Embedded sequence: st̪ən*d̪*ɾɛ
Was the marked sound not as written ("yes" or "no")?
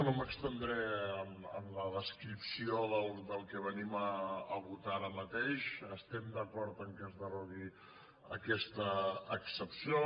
no